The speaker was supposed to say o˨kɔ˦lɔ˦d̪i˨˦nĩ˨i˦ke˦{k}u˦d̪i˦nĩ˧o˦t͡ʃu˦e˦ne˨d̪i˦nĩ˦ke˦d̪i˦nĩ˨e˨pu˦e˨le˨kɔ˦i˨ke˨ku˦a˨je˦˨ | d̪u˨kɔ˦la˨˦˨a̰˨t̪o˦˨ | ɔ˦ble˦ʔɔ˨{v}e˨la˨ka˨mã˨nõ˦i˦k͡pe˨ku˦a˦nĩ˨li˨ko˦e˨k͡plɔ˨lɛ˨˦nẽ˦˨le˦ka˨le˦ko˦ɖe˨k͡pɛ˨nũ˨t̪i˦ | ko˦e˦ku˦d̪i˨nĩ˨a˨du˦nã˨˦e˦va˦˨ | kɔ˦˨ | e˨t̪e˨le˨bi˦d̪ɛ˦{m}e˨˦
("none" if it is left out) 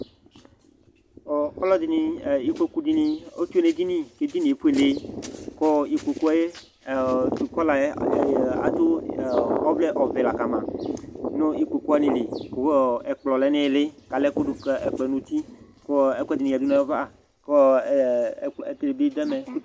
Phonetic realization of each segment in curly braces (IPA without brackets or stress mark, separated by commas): k, v, m